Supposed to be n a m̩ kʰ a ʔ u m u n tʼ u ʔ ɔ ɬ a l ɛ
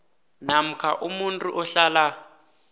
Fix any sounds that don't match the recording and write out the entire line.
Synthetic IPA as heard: n a m̩ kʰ a ʔ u m u n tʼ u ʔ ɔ ɬ a l a